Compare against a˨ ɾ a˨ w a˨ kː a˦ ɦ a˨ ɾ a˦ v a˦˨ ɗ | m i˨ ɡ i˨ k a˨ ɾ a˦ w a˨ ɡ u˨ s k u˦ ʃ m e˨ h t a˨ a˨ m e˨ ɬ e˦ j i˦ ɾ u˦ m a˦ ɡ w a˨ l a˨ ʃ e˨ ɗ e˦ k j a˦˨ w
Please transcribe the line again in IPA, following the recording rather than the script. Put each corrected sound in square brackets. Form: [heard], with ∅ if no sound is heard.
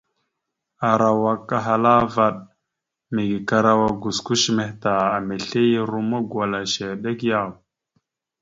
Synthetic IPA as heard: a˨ ɾ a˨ w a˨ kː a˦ ɦ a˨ [l] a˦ v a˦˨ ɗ | m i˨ ɡ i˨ k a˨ ɾ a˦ w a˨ ɡ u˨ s k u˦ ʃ m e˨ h t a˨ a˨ m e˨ ɬ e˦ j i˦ ɾ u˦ m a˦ ɡ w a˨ l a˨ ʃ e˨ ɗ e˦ k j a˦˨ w